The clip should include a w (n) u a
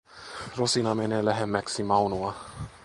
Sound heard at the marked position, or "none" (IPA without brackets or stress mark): n